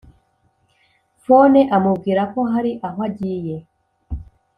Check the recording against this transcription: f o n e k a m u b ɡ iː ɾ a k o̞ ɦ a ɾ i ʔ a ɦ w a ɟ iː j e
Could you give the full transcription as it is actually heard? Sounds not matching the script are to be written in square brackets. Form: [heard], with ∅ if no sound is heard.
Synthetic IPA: f o n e [ʔ] a m u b ɡ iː ɾ a k o̞ ɦ a ɾ i ʔ a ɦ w a ɟ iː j e